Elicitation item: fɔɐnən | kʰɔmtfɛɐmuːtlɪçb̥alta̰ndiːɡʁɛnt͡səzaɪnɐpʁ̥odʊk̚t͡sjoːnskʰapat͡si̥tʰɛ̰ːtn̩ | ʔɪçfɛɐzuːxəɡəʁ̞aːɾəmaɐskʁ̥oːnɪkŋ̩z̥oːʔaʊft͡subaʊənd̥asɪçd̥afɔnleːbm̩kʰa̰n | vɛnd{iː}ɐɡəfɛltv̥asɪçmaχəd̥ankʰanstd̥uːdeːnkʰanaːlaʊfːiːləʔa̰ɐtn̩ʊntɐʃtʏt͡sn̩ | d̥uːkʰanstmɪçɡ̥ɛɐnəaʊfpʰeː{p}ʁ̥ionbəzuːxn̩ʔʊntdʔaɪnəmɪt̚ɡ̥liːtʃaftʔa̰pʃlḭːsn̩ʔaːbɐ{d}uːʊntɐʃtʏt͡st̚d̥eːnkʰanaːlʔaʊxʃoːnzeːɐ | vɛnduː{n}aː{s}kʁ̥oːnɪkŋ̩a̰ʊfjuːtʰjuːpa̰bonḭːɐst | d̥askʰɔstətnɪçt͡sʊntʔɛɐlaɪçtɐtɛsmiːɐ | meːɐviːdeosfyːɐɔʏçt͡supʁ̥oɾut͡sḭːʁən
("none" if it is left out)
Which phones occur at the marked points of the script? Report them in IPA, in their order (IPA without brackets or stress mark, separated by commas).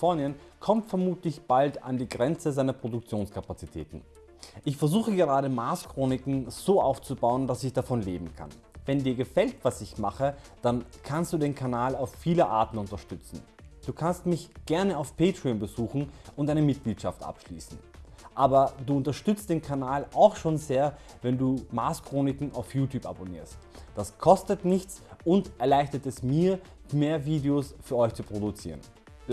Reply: iː, t, d, m, s